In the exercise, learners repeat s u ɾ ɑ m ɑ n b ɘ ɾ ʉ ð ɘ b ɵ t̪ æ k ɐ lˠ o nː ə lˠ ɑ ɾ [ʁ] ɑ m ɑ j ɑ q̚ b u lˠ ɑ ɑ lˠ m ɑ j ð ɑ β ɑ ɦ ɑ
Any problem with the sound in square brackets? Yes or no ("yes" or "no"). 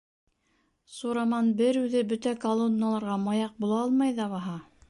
no